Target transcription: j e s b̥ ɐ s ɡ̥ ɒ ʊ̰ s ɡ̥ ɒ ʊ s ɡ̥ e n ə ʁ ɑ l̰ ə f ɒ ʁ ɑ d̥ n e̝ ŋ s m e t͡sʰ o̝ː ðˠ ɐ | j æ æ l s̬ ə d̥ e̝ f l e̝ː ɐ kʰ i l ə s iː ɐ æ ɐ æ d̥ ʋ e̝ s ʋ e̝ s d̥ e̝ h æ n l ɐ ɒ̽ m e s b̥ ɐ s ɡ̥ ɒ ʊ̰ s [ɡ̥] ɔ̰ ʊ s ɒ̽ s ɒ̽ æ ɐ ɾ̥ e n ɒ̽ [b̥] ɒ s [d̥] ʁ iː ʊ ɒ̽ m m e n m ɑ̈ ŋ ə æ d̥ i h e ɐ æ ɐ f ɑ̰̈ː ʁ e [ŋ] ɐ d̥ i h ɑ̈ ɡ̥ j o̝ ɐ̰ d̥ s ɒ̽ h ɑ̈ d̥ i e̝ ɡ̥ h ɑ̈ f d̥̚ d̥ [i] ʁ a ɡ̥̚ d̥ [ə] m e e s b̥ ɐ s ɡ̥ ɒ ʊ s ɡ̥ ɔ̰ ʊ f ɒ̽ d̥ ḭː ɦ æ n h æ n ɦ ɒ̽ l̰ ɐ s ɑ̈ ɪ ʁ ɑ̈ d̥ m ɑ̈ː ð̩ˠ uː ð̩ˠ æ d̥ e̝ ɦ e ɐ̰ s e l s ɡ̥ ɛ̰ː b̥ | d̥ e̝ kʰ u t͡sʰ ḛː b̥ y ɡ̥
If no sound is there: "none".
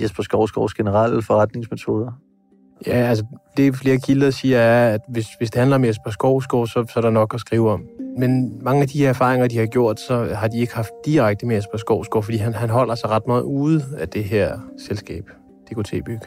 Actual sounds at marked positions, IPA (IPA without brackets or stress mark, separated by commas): ɡ̥, ɡ̥, ɡ̥, ŋ, i, ə